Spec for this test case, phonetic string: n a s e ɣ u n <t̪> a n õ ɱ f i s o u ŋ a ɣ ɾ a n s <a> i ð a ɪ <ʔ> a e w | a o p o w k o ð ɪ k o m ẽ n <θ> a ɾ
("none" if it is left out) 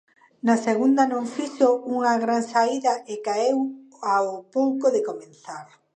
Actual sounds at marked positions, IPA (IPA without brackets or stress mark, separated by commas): d̪, a, k, θ